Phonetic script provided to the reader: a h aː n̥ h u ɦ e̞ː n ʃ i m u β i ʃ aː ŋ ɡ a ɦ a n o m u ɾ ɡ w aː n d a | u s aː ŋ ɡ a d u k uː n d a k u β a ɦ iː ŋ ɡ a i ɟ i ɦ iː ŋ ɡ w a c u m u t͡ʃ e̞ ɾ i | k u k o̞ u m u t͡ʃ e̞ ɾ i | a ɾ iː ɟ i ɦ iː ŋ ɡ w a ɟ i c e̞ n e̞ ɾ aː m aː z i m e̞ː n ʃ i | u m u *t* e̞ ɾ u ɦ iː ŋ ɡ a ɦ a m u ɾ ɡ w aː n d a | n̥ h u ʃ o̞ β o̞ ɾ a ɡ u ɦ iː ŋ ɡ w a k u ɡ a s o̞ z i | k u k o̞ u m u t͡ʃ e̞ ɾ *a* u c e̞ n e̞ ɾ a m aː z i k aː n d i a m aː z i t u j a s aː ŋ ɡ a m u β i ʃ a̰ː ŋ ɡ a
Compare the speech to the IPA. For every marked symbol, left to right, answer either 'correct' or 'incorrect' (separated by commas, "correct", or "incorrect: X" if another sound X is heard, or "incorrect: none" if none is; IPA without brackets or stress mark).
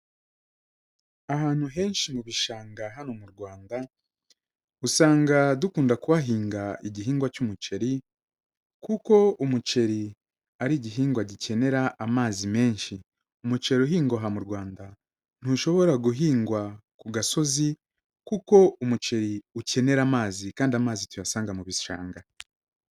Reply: incorrect: t͡ʃ, incorrect: i